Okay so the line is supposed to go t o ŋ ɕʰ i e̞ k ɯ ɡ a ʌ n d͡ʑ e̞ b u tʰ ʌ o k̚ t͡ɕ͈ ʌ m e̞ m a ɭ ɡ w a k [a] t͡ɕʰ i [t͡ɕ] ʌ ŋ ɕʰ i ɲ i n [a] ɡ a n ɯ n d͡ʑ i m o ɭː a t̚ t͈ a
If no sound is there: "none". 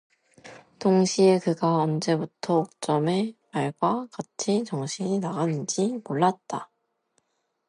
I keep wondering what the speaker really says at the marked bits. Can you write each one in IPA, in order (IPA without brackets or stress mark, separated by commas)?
a, t͡ɕ, a